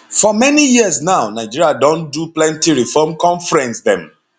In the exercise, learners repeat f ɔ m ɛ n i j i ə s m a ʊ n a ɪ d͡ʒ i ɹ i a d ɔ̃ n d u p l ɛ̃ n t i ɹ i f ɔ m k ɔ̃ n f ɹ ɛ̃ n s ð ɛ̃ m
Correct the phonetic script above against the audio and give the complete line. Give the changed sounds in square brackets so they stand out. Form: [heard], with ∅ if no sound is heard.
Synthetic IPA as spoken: f ɔ m ɛ n i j i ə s [n] a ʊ n a ɪ d͡ʒ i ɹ i a d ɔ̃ n d u p l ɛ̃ n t i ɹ i f ɔ m k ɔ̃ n f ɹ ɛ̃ n s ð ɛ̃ m